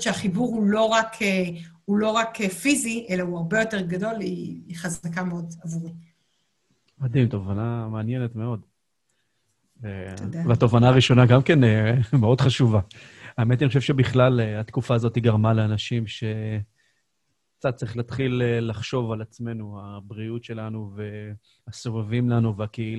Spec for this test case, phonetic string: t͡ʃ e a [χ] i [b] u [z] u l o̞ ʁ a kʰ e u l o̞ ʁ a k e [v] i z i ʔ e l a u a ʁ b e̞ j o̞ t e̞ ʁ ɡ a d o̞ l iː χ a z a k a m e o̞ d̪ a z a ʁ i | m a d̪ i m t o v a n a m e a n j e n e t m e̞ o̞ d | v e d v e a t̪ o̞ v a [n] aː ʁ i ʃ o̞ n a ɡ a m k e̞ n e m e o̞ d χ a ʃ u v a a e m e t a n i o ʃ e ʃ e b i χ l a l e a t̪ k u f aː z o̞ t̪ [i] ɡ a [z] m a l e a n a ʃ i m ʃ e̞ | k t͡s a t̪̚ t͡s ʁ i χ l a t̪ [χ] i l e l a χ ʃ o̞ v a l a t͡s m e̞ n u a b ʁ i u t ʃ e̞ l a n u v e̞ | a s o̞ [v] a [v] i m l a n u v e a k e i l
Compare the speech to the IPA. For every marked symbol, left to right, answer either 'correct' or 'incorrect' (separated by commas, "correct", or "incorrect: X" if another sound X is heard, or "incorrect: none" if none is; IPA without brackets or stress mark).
correct, correct, incorrect: ʁ, incorrect: f, correct, correct, incorrect: ʁ, correct, correct, correct